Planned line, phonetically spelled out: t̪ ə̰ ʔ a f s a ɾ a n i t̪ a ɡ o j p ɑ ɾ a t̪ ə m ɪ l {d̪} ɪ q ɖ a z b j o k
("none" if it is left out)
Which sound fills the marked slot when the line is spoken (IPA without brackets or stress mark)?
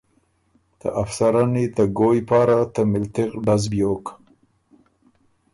t̪